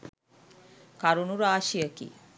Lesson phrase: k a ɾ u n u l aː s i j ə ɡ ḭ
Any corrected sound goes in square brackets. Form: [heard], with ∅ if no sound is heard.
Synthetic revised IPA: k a ɾ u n u [ɾ] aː [ʃ] i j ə [k] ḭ